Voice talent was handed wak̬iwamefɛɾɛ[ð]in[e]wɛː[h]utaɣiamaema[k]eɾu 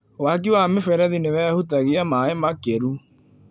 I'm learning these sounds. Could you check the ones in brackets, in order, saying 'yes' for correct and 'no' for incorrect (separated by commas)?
yes, yes, yes, yes